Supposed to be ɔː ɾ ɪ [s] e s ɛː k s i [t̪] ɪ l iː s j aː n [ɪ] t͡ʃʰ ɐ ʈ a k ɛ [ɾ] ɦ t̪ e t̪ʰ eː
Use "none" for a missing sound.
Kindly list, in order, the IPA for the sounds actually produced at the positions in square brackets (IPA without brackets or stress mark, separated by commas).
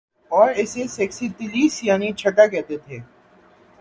s, t̪, i, none